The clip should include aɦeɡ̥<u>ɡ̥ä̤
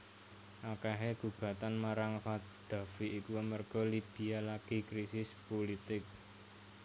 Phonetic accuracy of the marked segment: correct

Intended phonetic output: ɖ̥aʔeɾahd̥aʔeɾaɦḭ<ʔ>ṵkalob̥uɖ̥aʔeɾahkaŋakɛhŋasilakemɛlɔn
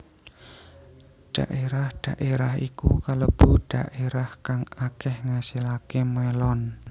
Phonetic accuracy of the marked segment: incorrect: k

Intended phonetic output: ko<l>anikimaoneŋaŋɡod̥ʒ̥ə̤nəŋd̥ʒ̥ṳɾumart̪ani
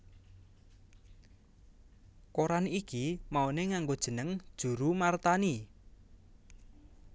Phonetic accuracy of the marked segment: incorrect: ɾ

